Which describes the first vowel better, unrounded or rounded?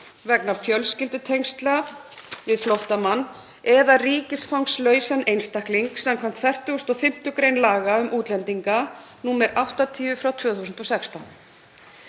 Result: unrounded